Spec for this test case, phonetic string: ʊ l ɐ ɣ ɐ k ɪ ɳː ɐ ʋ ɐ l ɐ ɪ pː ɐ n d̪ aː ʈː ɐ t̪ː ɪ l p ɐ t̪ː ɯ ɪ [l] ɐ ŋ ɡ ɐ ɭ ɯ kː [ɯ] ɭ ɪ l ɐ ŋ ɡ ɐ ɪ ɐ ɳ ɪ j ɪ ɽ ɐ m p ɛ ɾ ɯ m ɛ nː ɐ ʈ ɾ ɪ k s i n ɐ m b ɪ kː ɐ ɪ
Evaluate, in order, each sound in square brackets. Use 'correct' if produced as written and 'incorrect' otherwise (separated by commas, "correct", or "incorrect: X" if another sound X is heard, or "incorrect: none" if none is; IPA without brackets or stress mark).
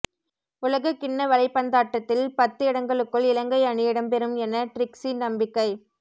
incorrect: ɽ, correct